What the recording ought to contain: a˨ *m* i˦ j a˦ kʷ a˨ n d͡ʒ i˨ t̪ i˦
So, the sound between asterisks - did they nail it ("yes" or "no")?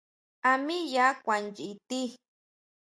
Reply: yes